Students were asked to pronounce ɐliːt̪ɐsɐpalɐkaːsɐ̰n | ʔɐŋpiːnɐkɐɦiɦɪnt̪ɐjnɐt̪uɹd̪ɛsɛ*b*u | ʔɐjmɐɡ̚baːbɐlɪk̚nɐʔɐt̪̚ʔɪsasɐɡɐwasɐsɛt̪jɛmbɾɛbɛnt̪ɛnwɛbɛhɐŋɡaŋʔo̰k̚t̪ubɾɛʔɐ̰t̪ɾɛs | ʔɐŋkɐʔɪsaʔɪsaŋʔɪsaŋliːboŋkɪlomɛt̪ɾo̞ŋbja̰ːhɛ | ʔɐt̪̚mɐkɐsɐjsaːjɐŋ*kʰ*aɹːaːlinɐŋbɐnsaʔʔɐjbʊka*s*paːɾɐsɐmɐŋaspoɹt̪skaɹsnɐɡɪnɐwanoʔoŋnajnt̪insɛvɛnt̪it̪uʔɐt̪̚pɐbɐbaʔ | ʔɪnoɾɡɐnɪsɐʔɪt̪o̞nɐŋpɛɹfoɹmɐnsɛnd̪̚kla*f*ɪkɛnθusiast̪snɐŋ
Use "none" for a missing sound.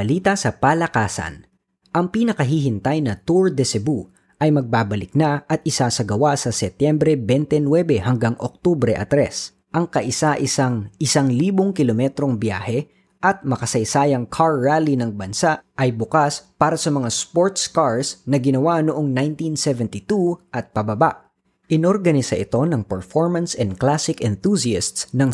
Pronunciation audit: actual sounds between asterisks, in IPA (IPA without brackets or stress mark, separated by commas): b, kʰ, s, s